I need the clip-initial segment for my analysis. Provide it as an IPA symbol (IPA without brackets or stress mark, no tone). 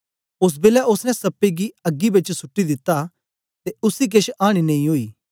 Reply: ʊ